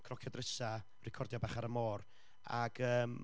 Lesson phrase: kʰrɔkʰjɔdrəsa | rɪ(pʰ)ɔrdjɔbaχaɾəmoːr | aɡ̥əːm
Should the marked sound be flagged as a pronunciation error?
yes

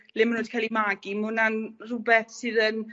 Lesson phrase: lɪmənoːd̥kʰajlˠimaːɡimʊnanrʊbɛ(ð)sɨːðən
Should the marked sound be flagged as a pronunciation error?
yes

